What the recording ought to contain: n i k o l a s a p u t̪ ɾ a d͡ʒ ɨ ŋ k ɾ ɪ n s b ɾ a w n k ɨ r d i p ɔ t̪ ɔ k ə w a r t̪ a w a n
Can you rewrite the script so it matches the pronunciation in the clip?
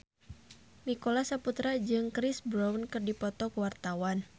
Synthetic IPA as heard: n i k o l a s a p u t̪ ɾ a d͡ʒ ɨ ŋ k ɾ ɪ s b ɾ a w n k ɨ r d i p ɔ t̪ ɔ k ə w a r t̪ a w a n